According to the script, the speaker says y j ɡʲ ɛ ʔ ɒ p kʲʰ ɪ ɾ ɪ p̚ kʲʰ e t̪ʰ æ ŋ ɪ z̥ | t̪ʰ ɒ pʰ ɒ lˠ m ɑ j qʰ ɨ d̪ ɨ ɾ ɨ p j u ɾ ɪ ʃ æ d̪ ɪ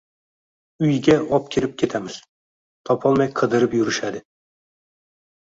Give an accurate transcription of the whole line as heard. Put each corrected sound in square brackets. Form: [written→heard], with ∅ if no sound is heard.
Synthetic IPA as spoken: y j ɡʲ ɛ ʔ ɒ p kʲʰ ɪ ɾ ɪ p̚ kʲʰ e t̪ʰ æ [ŋ→m] ɪ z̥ | t̪ʰ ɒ pʰ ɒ lˠ m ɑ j qʰ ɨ d̪ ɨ ɾ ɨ p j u ɾ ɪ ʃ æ d̪ ɪ